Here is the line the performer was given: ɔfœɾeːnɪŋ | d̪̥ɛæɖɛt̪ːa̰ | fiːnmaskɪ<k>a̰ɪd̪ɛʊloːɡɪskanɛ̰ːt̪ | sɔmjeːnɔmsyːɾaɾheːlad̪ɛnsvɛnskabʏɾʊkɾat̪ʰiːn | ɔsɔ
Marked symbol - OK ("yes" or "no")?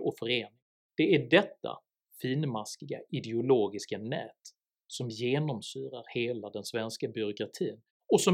no